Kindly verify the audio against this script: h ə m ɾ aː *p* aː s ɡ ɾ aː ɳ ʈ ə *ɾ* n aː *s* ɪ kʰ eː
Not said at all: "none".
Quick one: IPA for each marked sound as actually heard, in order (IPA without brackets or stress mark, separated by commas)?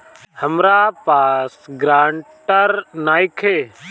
p, ɾ, none